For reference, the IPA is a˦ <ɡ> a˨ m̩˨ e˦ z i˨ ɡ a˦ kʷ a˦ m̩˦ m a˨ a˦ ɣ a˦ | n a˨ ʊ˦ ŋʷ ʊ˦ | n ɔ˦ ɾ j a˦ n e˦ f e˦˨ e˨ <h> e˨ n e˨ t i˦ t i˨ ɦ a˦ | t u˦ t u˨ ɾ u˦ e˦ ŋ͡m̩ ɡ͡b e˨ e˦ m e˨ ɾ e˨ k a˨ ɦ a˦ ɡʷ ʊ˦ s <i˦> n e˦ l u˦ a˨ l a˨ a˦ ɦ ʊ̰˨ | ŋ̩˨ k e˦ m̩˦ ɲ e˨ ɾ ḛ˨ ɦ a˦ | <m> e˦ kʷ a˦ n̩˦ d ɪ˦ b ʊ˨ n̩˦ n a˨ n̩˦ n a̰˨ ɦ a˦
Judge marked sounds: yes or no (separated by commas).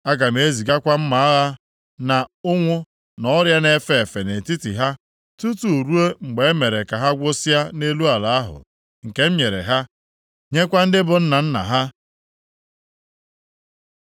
yes, no, no, no